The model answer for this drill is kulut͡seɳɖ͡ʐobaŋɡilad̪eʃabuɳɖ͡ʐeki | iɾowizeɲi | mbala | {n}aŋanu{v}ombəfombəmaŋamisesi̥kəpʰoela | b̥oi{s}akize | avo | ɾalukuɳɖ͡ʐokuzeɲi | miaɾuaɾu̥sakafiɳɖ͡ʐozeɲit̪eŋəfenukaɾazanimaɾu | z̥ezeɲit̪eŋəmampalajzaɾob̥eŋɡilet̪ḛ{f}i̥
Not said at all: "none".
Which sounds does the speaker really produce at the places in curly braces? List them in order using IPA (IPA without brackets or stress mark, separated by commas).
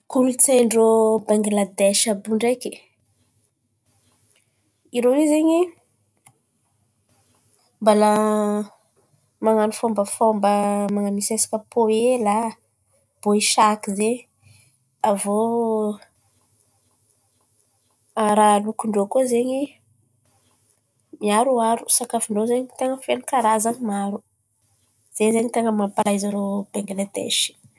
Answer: m, f, ʃ, ʃ